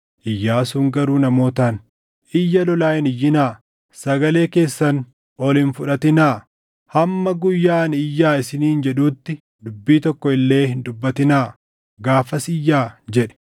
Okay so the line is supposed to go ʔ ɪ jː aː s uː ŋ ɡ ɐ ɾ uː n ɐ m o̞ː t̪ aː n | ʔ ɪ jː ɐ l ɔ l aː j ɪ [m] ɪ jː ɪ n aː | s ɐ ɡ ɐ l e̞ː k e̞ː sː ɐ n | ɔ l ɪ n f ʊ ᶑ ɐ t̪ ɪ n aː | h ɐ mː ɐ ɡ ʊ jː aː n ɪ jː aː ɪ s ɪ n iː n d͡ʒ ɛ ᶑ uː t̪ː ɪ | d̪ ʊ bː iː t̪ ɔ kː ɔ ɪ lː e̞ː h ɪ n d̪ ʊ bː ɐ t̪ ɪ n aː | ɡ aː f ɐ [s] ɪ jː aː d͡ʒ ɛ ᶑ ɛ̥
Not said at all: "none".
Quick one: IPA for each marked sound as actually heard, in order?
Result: n, s

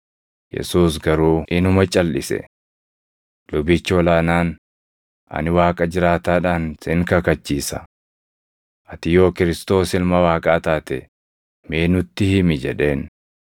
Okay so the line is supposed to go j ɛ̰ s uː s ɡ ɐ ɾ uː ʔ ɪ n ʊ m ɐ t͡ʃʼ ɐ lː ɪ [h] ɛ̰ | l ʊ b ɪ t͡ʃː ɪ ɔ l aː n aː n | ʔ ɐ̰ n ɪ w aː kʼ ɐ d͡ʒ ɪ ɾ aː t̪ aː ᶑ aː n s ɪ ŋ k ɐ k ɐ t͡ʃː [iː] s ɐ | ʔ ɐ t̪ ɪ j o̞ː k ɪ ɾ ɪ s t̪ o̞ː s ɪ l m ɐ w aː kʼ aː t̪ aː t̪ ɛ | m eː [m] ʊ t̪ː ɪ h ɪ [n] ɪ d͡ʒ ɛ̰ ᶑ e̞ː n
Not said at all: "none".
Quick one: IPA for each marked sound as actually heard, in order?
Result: s, iː, n, m

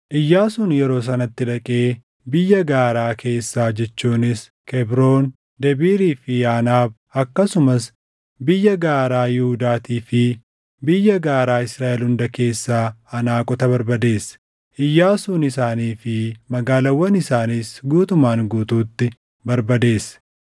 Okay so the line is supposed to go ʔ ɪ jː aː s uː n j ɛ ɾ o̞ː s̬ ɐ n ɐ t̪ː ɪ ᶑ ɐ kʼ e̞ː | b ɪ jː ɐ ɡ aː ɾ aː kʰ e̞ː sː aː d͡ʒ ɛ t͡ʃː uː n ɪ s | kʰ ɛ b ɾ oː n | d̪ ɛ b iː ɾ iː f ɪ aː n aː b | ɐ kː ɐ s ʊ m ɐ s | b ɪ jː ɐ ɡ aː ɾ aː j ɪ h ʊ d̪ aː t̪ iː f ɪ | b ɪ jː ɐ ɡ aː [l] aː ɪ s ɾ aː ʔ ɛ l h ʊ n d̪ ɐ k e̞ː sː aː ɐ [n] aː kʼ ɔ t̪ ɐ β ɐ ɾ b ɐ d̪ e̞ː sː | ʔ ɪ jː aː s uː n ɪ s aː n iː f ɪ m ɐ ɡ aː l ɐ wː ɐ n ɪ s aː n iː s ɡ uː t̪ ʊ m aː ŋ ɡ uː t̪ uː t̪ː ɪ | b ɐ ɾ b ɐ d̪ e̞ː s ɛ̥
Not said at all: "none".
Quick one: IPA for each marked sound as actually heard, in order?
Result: ɾ, n

